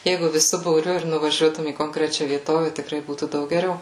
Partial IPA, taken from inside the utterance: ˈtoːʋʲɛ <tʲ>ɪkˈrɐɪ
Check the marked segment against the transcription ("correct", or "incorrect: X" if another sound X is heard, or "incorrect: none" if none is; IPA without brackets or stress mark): correct